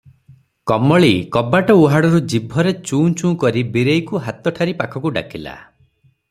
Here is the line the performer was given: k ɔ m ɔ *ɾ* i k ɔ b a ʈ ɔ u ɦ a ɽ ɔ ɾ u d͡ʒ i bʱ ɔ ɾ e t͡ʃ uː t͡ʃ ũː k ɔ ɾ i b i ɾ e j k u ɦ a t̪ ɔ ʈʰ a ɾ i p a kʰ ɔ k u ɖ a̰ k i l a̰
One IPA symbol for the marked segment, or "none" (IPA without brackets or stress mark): ɭ